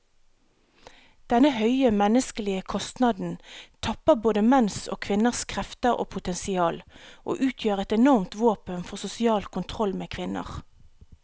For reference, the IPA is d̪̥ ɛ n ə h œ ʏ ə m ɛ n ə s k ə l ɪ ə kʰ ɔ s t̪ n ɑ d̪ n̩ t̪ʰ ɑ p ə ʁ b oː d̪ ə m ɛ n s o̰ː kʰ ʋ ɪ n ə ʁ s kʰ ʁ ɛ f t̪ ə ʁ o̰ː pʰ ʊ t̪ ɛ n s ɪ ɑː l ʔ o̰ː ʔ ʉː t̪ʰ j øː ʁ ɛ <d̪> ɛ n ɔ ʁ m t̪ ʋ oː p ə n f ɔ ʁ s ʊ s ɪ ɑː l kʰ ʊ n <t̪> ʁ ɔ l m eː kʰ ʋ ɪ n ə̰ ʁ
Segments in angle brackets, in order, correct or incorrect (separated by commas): incorrect, incorrect